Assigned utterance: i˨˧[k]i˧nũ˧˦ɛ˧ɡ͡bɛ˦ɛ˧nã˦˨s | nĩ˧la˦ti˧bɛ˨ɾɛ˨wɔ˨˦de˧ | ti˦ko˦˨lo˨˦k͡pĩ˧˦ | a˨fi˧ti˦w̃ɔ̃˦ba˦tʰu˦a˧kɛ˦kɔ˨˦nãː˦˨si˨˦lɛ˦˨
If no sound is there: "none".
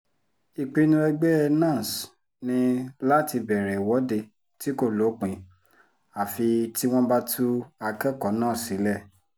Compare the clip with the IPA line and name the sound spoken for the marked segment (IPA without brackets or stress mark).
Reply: k͡p